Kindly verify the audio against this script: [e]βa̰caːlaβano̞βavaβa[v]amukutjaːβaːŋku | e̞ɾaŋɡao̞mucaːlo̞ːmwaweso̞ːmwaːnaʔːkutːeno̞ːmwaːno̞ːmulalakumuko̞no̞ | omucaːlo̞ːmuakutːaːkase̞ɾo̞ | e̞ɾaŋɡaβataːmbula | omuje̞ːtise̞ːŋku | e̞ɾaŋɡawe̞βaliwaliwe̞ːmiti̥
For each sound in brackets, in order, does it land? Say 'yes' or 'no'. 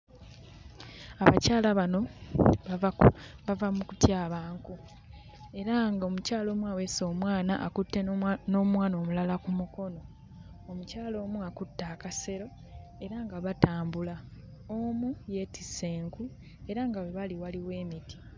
no, yes

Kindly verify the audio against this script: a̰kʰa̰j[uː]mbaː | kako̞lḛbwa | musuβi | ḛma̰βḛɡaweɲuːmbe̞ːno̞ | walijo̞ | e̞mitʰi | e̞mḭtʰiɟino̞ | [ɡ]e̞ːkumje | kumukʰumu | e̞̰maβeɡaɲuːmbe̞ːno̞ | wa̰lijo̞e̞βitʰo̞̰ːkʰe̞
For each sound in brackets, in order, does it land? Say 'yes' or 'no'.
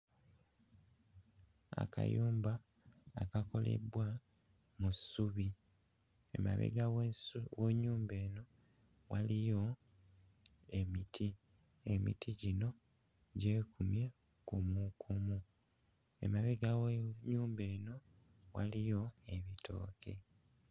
yes, no

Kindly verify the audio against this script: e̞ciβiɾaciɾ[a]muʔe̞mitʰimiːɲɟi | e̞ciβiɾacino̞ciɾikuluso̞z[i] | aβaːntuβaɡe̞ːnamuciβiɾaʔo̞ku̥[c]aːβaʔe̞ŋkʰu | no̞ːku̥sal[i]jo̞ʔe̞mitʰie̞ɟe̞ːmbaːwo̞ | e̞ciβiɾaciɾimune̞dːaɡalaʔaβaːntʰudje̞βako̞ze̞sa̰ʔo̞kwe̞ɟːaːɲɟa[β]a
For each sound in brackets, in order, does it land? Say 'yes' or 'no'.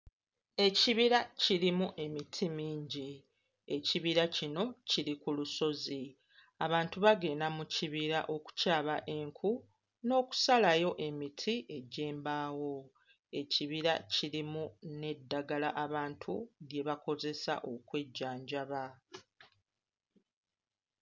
no, yes, yes, no, yes

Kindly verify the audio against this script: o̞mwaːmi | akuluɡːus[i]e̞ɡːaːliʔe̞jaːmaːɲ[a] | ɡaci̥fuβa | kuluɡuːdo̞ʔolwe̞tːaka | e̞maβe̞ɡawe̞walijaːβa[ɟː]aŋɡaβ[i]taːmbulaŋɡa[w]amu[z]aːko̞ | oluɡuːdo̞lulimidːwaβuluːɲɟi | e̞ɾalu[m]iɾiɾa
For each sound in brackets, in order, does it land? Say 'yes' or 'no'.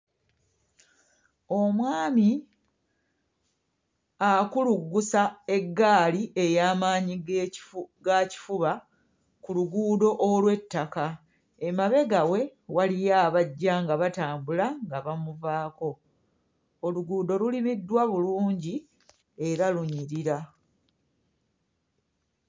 no, no, yes, no, no, no, no

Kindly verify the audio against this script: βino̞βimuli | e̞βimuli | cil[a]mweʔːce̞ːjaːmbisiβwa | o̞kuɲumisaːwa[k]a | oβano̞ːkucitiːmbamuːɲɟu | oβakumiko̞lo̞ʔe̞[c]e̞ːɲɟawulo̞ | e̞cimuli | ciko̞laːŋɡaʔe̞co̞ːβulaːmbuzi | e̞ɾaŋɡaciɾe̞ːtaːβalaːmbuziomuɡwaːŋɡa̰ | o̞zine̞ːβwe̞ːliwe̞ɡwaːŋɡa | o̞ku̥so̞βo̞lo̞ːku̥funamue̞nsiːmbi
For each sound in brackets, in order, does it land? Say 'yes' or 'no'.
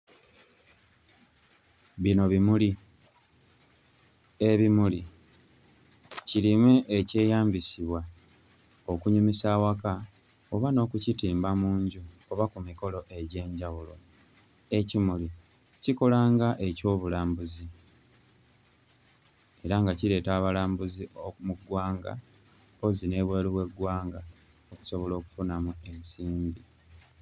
no, yes, no

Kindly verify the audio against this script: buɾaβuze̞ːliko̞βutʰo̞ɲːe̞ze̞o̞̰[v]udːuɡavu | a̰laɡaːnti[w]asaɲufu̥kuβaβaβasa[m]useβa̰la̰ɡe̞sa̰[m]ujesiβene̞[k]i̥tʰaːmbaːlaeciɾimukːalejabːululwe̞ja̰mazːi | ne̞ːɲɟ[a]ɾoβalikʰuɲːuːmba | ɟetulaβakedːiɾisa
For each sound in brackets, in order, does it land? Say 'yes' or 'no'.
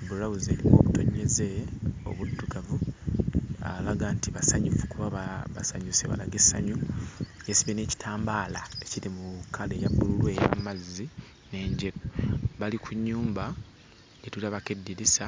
no, no, no, no, no, no

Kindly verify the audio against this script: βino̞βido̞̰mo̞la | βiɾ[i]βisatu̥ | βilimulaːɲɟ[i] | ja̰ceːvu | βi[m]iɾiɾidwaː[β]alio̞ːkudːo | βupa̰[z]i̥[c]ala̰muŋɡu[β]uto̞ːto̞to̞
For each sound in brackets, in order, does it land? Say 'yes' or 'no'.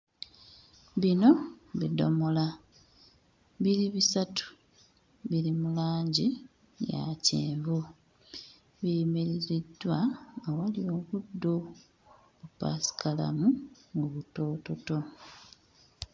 yes, yes, yes, no, no, no, yes

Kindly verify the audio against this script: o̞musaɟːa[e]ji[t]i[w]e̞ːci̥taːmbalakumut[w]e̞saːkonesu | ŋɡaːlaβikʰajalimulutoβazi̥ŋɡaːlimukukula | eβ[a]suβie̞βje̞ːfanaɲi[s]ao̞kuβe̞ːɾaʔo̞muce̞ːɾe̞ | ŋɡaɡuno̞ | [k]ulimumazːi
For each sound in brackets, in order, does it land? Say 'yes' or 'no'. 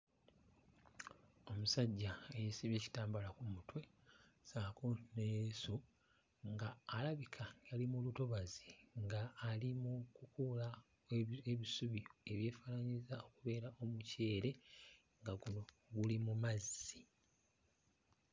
yes, no, no, yes, no, no, no

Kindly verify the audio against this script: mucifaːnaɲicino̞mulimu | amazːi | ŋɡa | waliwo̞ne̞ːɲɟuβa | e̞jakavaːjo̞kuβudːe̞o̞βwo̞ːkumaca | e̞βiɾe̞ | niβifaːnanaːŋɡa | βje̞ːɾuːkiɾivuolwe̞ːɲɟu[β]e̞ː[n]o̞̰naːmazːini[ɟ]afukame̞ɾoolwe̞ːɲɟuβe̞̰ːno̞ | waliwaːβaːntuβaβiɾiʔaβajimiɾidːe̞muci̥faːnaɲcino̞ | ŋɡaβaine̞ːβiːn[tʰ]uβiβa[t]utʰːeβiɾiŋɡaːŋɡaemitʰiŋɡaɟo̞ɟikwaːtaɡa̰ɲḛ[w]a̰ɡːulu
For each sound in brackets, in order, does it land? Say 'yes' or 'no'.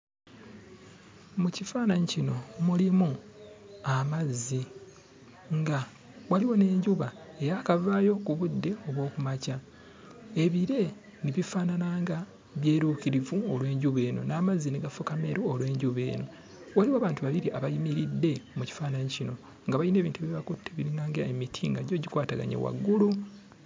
yes, yes, no, no, no, yes

